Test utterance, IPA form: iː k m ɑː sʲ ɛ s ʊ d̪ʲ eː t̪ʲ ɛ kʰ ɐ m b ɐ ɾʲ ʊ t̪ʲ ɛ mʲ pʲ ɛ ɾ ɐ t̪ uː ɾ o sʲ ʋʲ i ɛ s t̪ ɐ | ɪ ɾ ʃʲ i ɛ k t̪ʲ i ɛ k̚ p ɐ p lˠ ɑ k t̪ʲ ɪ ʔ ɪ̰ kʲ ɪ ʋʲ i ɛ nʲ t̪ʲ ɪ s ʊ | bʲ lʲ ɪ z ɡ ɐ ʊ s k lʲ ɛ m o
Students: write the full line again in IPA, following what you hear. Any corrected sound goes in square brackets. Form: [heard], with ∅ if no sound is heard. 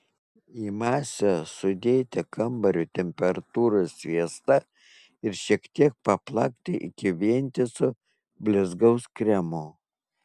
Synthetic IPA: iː [∅] m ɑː sʲ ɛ s ʊ d̪ʲ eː t̪ʲ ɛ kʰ ɐ m b ɐ ɾʲ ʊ t̪ʲ ɛ mʲ pʲ ɛ ɾ ɐ t̪ uː ɾ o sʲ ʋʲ i ɛ s t̪ ɐ | ɪ ɾ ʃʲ i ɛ k t̪ʲ i ɛ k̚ p ɐ p lˠ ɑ k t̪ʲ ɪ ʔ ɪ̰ kʲ ɪ ʋʲ i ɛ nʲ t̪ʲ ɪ s ʊ | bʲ lʲ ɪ z ɡ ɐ ʊ s k [ɾʲ] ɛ m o

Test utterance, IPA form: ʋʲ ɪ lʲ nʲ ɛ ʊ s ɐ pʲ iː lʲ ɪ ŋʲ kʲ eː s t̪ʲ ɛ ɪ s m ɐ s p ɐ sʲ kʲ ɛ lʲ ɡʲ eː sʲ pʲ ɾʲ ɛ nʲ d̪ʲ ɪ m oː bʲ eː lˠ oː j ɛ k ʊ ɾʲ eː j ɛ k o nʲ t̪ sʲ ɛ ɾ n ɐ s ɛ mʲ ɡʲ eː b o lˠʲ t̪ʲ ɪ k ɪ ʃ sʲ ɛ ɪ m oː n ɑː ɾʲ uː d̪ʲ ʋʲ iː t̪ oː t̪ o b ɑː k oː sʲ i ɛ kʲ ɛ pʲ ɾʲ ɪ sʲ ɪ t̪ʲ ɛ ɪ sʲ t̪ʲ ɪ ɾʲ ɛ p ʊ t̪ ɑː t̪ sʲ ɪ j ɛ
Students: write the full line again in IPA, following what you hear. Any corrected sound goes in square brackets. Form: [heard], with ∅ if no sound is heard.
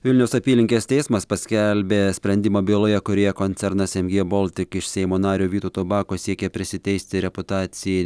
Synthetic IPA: ʋʲ ɪ lʲ nʲ ɛ ʊ s ɐ pʲ iː lʲ ɪ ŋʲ kʲ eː s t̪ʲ ɛ ɪ s m ɐ s p ɐ sʲ kʲ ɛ lʲ [bʲ] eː sʲ pʲ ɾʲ ɛ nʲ d̪ʲ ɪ m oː bʲ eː lˠ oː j ɛ k ʊ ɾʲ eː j ɛ k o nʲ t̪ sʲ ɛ ɾ n ɐ s ɛ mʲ ɡʲ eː b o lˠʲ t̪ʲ ɪ k ɪ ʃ sʲ ɛ ɪ m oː n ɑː ɾʲ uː [∅] ʋʲ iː t̪ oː t̪ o b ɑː k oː sʲ i ɛ kʲ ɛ pʲ ɾʲ ɪ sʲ ɪ t̪ʲ ɛ ɪ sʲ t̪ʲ ɪ ɾʲ ɛ p ʊ t̪ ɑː t̪ sʲ ɪ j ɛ

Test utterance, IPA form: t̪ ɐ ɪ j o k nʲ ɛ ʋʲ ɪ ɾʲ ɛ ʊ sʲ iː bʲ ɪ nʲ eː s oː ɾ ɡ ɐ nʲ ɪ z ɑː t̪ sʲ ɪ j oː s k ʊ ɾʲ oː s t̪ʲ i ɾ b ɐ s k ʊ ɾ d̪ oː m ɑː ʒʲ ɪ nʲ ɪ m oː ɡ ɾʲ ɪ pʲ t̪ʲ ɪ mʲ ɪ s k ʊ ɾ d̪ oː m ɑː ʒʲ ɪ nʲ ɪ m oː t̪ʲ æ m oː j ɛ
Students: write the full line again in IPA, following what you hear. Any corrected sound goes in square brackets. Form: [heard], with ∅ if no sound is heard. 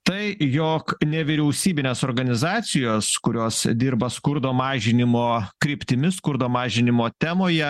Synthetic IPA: t̪ ɐ ɪ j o k nʲ ɛ ʋʲ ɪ ɾʲ ɛ ʊ sʲ iː bʲ ɪ nʲ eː s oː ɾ ɡ ɐ nʲ ɪ z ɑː t̪ sʲ ɪ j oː s k ʊ ɾʲ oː s [d̪ʲ] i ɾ b ɐ s k ʊ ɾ d̪ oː m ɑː ʒʲ ɪ nʲ ɪ m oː [k] ɾʲ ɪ pʲ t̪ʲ ɪ mʲ ɪ s k ʊ ɾ d̪ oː m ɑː ʒʲ ɪ nʲ ɪ m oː t̪ʲ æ m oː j ɛ

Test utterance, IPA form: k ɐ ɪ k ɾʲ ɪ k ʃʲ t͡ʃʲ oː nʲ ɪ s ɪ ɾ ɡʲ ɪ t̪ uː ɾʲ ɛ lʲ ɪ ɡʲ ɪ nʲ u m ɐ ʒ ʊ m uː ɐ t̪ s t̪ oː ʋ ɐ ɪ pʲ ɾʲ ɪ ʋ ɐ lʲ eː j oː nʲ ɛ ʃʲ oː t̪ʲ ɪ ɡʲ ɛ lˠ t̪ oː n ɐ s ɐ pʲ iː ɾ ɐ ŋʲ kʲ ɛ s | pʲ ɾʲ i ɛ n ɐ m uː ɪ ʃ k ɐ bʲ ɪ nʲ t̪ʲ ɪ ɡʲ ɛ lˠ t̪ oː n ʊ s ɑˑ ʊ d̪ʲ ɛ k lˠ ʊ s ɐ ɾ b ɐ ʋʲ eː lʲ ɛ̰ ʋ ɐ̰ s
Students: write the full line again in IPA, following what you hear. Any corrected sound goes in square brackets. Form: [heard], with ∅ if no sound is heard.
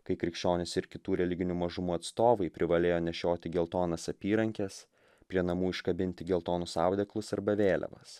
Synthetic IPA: k ɐ ɪ k ɾʲ ɪ k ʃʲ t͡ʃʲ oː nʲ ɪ s ɪ ɾ [kʲ] ɪ t̪ uː ɾʲ ɛ lʲ ɪ ɡʲ ɪ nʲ u m ɐ ʒ ʊ m uː ɐ t̪ s t̪ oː ʋ ɐ ɪ pʲ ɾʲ ɪ ʋ ɐ lʲ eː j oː nʲ ɛ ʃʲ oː t̪ʲ ɪ ɡʲ ɛ lˠ t̪ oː n ɐ s ɐ pʲ iː ɾ ɐ ŋʲ kʲ ɛ s | pʲ ɾʲ i ɛ n ɐ m uː ɪ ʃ k ɐ bʲ ɪ nʲ t̪ʲ ɪ ɡʲ ɛ lˠ t̪ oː n ʊ s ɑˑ ʊ d̪ʲ ɛ k lˠ ʊ s ɐ ɾ b ɐ ʋʲ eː lʲ ɛ̰ ʋ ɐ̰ s

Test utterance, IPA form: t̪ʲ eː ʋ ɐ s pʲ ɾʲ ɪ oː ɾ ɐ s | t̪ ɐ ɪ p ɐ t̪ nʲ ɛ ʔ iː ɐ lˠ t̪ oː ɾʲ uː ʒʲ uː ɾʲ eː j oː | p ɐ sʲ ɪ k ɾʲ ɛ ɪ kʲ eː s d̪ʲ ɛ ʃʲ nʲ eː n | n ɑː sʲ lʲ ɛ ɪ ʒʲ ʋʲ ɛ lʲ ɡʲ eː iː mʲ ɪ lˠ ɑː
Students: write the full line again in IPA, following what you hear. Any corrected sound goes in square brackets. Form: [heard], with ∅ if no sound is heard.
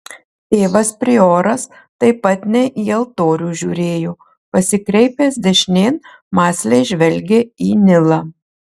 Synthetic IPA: t̪ʲ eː ʋ ɐ s pʲ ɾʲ ɪ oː ɾ ɐ s | t̪ ɐ ɪ p ɐ t̪ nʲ ɛ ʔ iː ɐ lˠ t̪ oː ɾʲ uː ʒʲ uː ɾʲ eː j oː | p ɐ sʲ ɪ k ɾʲ ɛ ɪ [pʲ] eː s d̪ʲ ɛ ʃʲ nʲ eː n | [m] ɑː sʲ lʲ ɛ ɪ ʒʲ ʋʲ ɛ lʲ ɡʲ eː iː [nʲ] ɪ lˠ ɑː

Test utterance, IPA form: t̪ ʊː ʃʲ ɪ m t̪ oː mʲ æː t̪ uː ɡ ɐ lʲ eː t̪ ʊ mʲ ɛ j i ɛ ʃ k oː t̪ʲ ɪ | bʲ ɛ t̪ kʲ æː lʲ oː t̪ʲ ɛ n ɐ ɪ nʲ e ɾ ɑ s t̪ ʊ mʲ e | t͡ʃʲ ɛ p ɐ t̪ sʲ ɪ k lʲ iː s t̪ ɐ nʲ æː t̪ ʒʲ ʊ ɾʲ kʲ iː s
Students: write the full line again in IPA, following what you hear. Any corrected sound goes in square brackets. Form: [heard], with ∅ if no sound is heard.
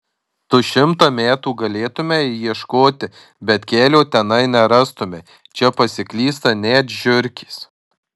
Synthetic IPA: t̪ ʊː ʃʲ ɪ m t̪ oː mʲ æː t̪ uː ɡ ɐ lʲ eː t̪ ʊ mʲ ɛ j i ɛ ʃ k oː t̪ʲ ɪ | bʲ ɛ t̪ kʲ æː lʲ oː t̪ʲ ɛ n ɐ ɪ nʲ [ɛ] ɾ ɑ s t̪ ʊ mʲ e | t͡ʃʲ ɛ p ɐ [∅] sʲ ɪ k lʲ iː s t̪ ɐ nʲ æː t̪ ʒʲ ʊ ɾʲ kʲ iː s

